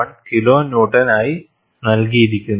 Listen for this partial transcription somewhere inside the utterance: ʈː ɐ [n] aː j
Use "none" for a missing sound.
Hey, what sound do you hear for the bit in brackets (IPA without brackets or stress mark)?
n